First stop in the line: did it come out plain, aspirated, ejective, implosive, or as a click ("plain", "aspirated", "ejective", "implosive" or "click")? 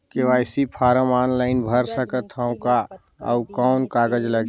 plain